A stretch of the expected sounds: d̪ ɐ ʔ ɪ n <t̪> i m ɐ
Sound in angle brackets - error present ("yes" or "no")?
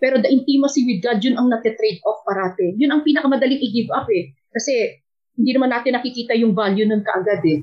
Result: no